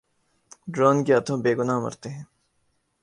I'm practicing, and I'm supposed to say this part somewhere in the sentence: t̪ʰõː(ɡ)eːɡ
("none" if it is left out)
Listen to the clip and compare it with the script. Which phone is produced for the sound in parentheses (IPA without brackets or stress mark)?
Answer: b